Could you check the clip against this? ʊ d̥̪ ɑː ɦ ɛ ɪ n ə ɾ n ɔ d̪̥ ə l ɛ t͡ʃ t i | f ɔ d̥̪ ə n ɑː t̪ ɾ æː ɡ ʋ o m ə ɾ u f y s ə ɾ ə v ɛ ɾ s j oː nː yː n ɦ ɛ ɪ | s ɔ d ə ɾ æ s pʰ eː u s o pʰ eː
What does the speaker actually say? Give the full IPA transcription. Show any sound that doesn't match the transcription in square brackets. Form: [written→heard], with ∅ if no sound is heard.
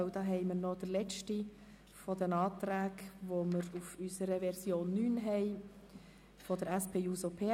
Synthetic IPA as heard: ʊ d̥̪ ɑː ɦ ɛ ɪ [n→m] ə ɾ n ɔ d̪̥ ə l ɛ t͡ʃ t i | f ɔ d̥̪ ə n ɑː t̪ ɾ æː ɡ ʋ o m ə ɾ u f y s ə ɾ ə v ɛ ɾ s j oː nː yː n ɦ ɛ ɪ | [s→f] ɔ d ə ɾ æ s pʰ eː u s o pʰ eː